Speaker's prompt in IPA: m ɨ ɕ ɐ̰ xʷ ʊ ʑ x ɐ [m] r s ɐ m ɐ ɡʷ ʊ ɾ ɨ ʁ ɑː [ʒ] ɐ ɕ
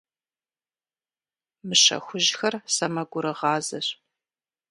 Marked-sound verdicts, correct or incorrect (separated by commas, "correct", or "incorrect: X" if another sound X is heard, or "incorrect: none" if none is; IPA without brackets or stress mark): incorrect: none, incorrect: z